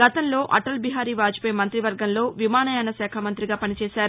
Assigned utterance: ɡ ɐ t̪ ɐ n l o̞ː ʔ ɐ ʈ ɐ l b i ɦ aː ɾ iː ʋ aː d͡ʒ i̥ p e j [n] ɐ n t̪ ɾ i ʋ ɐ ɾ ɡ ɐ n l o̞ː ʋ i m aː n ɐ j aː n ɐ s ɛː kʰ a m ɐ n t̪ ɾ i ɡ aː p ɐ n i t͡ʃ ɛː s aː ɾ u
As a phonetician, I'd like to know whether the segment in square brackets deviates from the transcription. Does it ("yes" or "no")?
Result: yes